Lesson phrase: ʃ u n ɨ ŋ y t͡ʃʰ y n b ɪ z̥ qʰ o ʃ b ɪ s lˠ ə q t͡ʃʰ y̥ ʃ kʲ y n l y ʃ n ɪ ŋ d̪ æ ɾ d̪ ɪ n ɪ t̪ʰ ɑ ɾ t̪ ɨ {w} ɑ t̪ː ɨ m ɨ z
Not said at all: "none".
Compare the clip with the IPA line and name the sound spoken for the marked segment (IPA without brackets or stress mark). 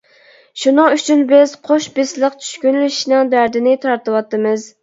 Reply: w